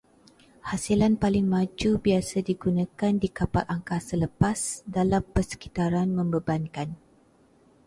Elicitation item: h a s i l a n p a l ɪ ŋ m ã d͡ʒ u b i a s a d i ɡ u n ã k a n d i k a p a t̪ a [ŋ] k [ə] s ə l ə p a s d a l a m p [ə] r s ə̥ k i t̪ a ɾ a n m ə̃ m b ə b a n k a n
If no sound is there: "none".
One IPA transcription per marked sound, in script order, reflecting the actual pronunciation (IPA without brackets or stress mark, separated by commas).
ŋ, a, ə